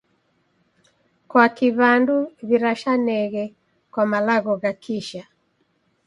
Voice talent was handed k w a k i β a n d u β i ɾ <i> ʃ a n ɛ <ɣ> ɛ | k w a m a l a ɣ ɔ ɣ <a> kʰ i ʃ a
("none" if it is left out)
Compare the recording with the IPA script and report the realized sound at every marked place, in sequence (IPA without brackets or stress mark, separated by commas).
a, ɣ, a